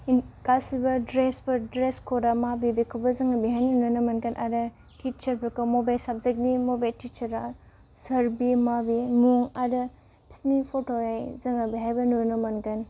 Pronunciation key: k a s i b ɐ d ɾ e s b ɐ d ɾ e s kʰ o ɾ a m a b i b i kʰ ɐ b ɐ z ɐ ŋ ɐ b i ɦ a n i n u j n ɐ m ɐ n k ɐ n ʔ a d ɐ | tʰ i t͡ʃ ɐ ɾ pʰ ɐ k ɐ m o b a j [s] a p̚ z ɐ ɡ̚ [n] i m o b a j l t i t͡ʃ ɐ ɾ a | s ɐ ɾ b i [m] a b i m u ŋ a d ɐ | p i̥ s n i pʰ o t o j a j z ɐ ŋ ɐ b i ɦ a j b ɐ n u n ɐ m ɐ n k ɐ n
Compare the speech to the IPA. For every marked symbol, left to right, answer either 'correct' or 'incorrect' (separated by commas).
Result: correct, correct, correct